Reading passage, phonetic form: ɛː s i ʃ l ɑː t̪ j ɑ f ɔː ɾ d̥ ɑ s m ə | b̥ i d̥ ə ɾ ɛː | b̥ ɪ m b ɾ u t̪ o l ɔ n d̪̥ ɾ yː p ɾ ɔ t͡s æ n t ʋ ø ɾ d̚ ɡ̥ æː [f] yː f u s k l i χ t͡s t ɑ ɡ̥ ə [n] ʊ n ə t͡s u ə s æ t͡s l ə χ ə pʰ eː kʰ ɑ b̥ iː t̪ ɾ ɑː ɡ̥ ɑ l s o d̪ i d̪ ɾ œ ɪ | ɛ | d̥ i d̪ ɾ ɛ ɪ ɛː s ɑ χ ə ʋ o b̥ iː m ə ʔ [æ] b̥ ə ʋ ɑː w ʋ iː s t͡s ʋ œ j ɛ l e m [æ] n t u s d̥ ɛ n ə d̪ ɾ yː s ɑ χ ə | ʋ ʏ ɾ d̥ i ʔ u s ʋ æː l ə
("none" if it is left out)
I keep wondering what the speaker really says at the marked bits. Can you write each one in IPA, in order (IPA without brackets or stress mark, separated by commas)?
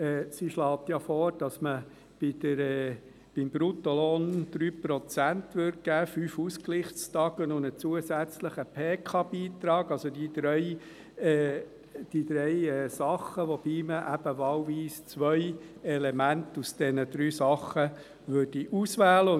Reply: f, n, æ, æ